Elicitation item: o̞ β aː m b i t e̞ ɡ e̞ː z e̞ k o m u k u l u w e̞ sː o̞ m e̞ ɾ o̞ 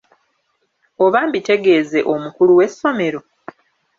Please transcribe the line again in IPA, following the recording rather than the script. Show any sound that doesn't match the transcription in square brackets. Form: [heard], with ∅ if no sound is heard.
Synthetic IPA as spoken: o̞ β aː m b i t e̞ ɡ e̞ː z e̞ [ʔ] o m u k u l u w e̞ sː o̞ m e̞ ɾ o̞